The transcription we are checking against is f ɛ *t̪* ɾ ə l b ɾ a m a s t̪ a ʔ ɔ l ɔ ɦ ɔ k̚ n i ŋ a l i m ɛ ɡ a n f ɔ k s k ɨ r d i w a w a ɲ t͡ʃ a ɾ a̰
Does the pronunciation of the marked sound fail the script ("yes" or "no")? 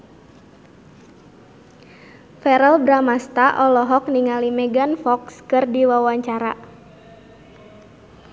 yes